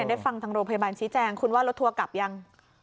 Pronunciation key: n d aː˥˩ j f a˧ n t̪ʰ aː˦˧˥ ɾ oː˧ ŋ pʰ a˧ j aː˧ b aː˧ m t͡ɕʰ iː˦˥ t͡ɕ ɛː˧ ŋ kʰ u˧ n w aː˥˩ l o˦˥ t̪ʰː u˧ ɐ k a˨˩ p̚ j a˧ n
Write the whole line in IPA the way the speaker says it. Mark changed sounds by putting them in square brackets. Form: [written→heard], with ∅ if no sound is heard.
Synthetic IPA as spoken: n d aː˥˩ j f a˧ [n→ŋ] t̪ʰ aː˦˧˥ ɾ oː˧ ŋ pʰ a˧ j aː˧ b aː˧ [m→n] t͡ɕʰ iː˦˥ t͡ɕ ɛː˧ ŋ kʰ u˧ n w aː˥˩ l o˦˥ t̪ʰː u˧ ɐ k a˨˩ p̚ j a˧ [n→ŋ]